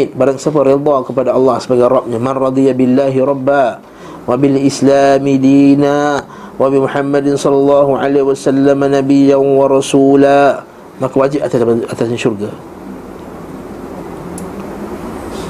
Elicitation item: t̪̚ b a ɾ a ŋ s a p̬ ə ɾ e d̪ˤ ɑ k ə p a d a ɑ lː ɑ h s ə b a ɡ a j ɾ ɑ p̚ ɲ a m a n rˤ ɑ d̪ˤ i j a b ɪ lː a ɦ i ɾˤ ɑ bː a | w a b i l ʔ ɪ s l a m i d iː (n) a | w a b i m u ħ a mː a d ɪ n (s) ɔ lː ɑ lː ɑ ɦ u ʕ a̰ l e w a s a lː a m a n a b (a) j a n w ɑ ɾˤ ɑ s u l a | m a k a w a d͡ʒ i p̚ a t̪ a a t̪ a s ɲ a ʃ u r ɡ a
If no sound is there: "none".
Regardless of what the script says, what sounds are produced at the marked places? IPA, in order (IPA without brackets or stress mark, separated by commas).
n, s, i